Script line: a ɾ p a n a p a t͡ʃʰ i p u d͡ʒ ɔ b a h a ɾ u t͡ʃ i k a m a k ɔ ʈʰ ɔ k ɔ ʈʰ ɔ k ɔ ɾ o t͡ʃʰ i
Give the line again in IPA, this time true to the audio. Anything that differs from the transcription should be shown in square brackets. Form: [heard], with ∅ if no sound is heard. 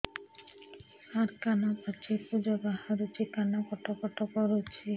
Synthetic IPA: a ɾ [k] a n a p a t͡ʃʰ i p u d͡ʒ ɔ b a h a ɾ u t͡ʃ i k a [n] a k ɔ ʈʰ ɔ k ɔ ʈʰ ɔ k ɔ ɾ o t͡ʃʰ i